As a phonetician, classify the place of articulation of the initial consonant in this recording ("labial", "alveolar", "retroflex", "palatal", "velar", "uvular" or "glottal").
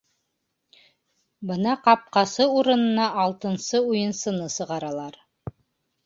labial